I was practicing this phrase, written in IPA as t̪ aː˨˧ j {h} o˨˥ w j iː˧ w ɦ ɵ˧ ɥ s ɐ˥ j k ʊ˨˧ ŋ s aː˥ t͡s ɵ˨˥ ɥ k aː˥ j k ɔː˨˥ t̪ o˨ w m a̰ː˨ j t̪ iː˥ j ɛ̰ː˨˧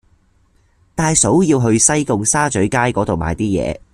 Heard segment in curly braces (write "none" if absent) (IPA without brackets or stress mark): s